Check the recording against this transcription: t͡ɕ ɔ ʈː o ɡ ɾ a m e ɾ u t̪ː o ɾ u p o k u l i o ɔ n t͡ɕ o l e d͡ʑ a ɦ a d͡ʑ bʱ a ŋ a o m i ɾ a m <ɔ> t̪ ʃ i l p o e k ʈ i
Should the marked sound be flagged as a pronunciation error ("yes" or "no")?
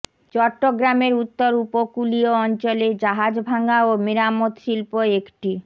yes